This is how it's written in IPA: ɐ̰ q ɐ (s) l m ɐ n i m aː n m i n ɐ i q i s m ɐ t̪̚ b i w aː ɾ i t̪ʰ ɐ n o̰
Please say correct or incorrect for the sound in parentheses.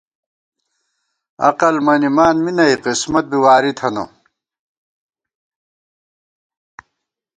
incorrect